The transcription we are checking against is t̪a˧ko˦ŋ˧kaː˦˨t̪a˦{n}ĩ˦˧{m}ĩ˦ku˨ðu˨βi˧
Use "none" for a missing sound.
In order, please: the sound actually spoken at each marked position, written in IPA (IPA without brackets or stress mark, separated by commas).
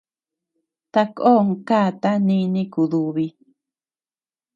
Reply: n, n